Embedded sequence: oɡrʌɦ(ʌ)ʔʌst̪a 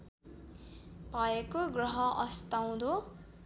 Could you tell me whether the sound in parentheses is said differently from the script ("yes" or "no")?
no